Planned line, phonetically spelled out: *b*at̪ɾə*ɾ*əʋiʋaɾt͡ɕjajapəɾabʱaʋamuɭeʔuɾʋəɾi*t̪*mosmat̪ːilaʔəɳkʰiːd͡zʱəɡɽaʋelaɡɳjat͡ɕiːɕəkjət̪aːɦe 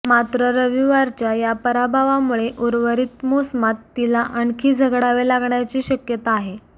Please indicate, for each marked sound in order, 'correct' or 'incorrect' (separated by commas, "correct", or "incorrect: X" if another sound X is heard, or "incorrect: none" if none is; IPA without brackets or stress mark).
incorrect: m, correct, correct